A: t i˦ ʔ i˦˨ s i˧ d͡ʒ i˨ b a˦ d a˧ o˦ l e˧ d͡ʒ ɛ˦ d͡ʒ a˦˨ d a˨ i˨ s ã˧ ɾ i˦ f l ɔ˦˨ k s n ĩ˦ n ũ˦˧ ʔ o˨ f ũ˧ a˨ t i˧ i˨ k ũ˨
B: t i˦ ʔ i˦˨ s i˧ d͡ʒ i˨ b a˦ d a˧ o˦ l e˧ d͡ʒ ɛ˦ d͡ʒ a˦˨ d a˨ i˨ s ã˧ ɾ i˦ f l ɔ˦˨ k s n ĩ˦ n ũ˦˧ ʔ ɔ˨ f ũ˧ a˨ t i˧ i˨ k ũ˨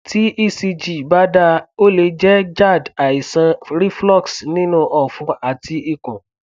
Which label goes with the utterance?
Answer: B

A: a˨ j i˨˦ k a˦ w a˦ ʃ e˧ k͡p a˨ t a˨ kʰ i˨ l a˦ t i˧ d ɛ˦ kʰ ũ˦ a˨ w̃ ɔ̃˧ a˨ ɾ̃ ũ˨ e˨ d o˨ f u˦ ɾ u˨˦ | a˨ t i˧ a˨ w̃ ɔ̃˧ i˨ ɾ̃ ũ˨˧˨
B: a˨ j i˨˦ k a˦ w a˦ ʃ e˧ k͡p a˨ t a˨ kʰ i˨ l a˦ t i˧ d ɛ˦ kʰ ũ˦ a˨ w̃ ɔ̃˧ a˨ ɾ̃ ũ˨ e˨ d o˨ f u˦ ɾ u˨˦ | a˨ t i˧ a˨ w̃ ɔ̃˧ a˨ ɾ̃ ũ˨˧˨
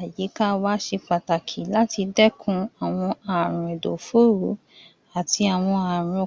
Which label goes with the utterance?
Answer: B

